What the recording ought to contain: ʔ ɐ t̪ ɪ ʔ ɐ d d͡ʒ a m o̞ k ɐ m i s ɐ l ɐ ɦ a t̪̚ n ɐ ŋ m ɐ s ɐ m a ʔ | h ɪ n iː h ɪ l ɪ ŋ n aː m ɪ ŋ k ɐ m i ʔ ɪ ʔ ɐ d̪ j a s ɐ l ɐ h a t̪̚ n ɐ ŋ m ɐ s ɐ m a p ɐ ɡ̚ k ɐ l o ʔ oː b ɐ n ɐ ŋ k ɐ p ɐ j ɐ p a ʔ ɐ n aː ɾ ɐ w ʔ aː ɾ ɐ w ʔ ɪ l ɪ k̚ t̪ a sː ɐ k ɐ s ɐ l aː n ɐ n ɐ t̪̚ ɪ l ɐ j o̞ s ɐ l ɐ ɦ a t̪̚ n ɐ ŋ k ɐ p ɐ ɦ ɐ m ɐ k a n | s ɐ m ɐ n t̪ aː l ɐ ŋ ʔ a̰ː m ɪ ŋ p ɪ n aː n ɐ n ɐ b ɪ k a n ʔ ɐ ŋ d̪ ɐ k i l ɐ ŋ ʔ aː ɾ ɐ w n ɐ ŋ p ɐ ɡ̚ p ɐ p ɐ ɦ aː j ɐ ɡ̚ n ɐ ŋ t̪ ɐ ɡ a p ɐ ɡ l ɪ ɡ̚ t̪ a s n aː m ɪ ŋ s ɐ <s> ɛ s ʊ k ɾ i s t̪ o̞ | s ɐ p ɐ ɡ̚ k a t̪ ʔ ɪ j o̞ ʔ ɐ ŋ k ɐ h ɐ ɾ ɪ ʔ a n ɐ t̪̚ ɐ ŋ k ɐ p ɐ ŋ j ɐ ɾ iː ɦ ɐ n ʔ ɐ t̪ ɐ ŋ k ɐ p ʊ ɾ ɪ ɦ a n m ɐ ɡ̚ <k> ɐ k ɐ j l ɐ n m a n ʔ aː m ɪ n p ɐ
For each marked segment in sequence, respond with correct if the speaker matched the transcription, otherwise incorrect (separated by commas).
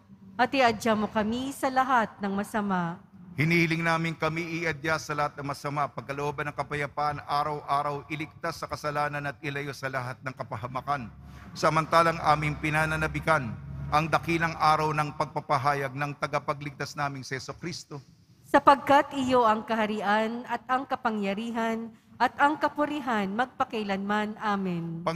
incorrect, incorrect